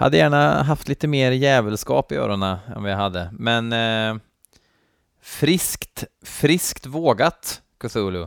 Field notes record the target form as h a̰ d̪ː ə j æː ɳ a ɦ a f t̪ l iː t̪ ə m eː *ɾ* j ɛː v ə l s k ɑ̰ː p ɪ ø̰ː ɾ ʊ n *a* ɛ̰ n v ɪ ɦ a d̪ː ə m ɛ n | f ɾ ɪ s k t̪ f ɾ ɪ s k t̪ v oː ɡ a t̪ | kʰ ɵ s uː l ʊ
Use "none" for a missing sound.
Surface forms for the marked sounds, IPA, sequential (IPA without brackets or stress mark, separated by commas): ɾ, a